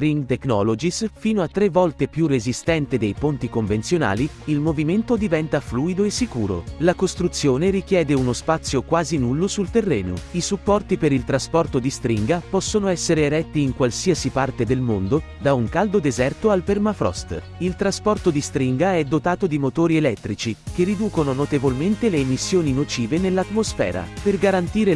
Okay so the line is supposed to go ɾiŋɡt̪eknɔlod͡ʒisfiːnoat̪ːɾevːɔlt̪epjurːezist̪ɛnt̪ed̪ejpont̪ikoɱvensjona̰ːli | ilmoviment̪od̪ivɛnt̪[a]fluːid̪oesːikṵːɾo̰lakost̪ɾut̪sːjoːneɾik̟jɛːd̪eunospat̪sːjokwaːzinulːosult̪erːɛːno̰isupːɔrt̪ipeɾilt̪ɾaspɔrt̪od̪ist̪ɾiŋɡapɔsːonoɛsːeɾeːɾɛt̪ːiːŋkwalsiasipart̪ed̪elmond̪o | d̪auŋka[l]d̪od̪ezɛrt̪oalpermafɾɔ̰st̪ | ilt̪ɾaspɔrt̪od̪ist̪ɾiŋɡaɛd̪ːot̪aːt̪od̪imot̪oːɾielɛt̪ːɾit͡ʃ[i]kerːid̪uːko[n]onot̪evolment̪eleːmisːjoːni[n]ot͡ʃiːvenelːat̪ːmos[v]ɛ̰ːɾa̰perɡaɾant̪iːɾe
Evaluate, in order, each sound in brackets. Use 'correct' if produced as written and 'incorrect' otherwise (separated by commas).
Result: correct, correct, correct, correct, correct, incorrect